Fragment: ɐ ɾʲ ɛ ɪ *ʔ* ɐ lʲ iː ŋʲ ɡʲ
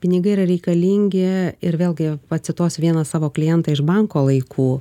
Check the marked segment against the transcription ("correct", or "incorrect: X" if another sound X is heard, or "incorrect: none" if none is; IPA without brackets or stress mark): incorrect: k